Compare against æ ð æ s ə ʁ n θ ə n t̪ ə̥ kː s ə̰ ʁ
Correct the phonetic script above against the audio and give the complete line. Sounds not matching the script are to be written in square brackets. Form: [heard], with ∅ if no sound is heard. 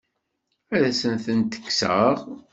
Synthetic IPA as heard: æ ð æ s ə [∅] n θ ə n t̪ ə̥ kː s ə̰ ʁ